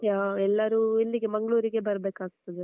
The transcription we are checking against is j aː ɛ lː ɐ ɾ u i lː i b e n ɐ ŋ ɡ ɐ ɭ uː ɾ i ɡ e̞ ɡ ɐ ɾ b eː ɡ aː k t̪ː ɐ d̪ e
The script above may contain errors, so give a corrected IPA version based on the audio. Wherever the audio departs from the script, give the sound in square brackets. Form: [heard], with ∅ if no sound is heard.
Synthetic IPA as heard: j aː ɛ lː ɐ ɾ u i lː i [ɡ] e [m] ɐ ŋ ɡ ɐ ɭ uː ɾ i ɡ e̞ [b] ɐ ɾ b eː [k] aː [ɡ] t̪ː ɐ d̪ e